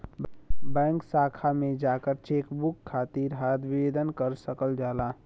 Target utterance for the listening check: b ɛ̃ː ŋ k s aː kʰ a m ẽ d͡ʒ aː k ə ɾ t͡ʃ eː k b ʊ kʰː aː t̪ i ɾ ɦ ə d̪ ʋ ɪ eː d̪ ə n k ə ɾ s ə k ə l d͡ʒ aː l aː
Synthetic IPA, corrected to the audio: b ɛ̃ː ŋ k s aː kʰ a m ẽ d͡ʒ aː k ə ɾ t͡ʃ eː k b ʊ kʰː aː t̪ i ɾ ɦ a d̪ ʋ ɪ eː d̪ ə n k ə ɾ s ə k ə l d͡ʒ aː l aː